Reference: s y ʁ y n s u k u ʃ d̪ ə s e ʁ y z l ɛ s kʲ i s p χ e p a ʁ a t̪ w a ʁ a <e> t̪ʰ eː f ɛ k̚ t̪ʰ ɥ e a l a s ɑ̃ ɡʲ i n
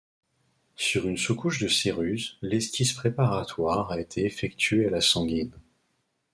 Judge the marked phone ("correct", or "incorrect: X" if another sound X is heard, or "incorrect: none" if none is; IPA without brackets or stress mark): correct